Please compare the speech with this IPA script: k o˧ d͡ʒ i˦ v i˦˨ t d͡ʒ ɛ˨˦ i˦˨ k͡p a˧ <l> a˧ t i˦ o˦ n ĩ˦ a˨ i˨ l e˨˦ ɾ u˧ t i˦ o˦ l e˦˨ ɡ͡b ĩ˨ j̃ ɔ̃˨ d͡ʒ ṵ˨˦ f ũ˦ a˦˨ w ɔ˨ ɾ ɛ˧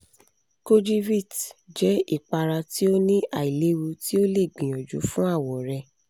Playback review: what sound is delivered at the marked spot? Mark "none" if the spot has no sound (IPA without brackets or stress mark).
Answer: ɾ